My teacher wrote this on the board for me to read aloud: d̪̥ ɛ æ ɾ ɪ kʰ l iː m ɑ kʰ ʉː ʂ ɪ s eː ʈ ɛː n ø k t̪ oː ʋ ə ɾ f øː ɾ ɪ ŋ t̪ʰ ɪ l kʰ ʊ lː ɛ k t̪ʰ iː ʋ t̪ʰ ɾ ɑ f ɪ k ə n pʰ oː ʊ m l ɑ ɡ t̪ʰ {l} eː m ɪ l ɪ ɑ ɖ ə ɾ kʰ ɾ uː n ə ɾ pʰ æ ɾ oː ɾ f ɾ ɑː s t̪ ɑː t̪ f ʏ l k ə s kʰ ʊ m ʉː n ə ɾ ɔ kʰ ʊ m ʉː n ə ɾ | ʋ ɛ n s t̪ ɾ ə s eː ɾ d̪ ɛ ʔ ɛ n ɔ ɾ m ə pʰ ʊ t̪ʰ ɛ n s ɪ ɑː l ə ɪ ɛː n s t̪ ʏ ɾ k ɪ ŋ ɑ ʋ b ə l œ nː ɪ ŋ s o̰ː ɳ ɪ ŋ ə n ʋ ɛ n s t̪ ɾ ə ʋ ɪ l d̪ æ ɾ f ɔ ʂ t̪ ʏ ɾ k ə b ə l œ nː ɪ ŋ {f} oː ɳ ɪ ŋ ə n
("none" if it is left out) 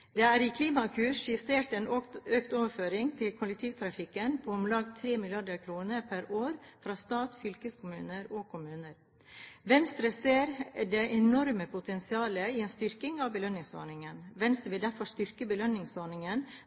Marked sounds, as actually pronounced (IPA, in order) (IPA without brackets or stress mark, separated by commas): ɾ, s